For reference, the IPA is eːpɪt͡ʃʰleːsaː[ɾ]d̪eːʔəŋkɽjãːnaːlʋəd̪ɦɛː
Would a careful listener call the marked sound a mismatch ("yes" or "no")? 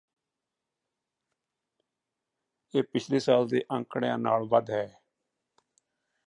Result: yes